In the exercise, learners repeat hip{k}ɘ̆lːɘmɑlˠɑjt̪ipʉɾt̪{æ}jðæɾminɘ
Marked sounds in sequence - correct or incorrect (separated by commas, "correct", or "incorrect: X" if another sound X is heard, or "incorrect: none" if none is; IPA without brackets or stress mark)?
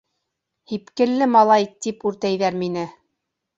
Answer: correct, correct